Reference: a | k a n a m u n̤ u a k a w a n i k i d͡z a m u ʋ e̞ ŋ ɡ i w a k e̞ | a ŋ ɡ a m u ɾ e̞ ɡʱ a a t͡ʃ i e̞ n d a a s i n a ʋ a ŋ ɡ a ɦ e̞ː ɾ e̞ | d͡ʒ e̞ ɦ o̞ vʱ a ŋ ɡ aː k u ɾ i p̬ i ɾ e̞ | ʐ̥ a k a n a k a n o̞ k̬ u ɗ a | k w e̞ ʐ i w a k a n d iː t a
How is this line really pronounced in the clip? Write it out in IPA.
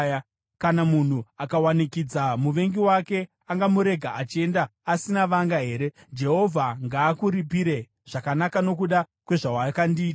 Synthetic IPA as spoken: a | k a n a m u n̤ u a k a w a n i k i d͡z a m u ʋ e̞ ŋ ɡ i w a k e̞ | a ŋ ɡ a m u ɾ e̞ ɡʱ a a t͡ʃ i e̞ n d a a s i n a ʋ a ŋ ɡ a ɦ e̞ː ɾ e̞ | d͡ʒ e̞ ɦ o̞ vʱ a ŋ ɡ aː k u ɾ i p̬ i ɾ e̞ | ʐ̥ a k a n a k a n o̞ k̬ u ɗ a | k w e̞ ʐ a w a k a n d iː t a